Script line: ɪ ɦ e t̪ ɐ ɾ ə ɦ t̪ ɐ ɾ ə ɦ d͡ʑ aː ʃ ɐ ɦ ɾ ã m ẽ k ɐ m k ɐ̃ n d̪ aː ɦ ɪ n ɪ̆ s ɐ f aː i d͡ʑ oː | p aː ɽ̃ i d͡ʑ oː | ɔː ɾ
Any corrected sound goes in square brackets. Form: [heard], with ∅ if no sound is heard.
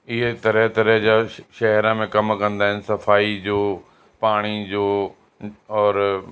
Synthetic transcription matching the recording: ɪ ɦ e t̪ ɐ ɾ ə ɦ t̪ ɐ ɾ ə ɦ d͡ʑ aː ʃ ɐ ɦ ɾ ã m ẽ k ɐ m k ɐ̃ n d̪ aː ɦ ɪ n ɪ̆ s ɐ f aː i d͡ʑ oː | p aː ɽ̃ i d͡ʑ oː | ɔː ɾ